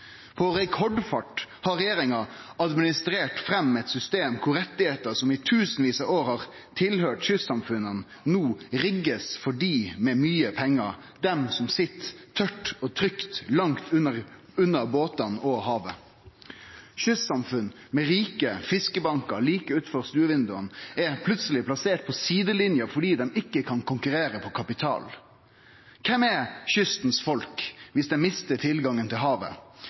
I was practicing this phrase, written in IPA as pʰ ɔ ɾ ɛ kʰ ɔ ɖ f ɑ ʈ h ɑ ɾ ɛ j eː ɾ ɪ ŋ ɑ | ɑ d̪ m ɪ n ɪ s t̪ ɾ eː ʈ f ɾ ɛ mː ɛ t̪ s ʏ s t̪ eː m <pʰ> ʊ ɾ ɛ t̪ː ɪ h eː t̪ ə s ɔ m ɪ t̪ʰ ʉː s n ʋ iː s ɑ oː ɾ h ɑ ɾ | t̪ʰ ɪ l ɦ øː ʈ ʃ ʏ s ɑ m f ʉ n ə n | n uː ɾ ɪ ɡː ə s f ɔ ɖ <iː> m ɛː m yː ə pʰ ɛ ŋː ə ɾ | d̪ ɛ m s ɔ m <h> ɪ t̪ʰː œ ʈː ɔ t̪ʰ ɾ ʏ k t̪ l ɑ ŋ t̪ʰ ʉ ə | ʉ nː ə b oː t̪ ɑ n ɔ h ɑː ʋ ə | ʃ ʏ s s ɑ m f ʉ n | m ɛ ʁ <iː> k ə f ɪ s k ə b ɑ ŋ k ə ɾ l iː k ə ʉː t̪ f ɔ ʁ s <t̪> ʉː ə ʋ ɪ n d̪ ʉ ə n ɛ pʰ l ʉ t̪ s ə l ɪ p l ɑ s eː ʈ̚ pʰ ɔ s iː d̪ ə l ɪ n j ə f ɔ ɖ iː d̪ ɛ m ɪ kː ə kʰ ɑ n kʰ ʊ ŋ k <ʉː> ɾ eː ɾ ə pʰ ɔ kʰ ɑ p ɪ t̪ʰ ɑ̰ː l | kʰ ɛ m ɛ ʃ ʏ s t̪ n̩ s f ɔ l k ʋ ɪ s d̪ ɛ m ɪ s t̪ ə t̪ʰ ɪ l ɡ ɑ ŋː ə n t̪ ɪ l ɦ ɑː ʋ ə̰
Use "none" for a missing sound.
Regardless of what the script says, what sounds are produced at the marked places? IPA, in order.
kʰ, iː, s, iː, t̪, ʉ

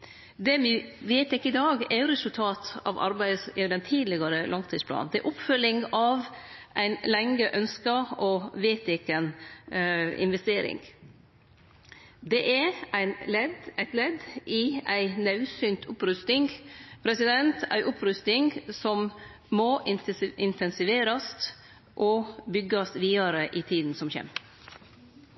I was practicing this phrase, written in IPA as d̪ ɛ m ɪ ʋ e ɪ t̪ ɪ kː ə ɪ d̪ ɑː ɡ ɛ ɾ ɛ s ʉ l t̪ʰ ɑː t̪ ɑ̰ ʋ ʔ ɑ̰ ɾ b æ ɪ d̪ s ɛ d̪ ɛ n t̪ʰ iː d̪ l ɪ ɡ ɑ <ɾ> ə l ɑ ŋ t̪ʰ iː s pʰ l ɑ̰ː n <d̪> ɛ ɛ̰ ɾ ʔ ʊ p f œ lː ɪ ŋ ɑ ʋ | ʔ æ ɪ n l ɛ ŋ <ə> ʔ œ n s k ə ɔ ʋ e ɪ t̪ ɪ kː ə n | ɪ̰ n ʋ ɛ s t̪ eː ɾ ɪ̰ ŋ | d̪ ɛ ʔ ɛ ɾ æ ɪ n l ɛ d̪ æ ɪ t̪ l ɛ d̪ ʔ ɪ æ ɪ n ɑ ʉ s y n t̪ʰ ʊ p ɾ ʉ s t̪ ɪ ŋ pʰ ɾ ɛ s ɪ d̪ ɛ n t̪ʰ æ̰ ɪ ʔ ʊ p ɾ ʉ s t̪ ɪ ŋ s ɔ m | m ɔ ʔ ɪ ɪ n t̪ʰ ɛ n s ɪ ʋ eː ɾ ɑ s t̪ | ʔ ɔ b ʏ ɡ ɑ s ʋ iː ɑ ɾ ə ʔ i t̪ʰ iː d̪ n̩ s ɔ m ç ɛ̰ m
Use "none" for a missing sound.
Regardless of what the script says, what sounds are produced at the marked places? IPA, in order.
ɾ, d̪, ə

